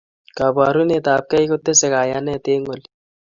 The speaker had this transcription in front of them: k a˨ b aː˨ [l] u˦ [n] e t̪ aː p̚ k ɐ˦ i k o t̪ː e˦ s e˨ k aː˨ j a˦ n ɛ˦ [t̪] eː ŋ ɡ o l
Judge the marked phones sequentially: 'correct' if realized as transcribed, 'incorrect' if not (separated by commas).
incorrect, correct, correct